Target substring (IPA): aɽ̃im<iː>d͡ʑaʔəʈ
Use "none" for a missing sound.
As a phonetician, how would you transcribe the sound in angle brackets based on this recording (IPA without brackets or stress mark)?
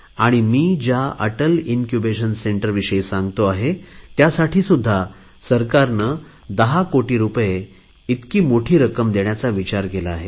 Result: iː